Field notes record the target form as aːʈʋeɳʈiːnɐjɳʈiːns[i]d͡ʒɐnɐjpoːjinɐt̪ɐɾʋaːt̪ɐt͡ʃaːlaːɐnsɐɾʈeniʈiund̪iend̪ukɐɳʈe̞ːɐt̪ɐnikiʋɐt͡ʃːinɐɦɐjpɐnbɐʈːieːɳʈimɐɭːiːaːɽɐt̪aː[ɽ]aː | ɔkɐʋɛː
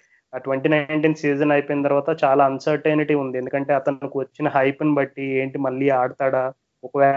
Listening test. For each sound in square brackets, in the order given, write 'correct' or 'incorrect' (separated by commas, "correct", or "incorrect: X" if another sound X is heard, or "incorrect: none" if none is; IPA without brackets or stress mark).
incorrect: iː, correct